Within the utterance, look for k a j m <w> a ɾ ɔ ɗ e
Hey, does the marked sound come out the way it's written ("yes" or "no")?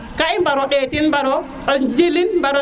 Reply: no